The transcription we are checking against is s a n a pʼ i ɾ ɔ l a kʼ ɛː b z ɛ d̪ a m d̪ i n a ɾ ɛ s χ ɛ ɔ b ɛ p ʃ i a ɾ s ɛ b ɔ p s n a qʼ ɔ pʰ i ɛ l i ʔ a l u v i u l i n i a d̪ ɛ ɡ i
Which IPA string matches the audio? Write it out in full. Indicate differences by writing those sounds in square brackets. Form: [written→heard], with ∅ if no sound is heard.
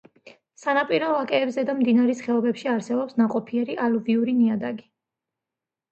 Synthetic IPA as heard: s a n a pʼ i ɾ ɔ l a kʼ ɛː b z ɛ d̪ a m d̪ i n a ɾ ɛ s χ ɛ ɔ b ɛ p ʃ i a ɾ s ɛ b ɔ p s n a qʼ ɔ pʰ i ɛ [l→ɾ] i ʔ a l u v i u [l→ɾ] i n i a d̪ [ɛ→a] ɡ i